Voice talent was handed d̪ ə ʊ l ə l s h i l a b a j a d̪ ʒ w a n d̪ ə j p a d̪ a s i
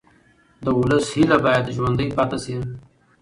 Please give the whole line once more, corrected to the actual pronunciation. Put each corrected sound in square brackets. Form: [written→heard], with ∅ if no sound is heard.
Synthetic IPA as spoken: d̪ ə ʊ l ə [l→∅] s h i l a b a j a d̪ ʒ w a n d̪ ə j p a [d̪→t̪] a s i